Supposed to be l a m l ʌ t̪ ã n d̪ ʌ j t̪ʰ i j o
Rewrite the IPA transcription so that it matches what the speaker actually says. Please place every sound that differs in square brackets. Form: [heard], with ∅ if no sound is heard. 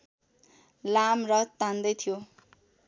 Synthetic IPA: l a m [r] ʌ t̪ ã n d̪ ʌ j t̪ʰ i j o